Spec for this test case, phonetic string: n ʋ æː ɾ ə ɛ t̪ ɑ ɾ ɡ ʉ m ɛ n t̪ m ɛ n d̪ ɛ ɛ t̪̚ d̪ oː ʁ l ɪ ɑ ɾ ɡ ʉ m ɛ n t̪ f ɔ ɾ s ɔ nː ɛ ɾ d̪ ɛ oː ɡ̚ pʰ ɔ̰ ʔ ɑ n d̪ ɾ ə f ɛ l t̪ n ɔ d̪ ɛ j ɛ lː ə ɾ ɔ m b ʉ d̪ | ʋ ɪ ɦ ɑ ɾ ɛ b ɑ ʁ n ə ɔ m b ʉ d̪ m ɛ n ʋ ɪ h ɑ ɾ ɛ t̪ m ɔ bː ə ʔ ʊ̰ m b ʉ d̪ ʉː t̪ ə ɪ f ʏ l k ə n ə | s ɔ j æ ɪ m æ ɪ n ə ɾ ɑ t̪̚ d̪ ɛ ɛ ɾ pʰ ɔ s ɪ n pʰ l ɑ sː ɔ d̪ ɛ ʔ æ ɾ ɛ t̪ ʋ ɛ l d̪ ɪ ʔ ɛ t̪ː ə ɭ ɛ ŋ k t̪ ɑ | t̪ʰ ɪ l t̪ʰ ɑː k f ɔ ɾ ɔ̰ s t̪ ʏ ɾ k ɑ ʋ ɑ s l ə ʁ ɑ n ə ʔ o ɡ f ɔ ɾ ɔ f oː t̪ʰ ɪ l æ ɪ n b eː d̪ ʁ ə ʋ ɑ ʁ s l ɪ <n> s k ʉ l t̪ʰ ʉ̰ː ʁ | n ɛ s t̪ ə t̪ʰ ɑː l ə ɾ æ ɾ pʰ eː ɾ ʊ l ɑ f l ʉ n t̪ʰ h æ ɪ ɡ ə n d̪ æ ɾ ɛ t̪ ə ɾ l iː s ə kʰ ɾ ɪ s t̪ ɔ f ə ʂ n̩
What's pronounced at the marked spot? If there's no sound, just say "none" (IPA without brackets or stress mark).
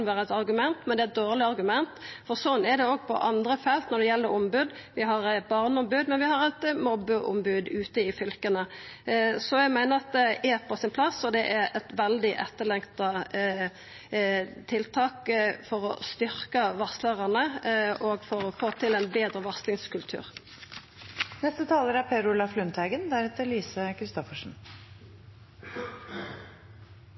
ŋ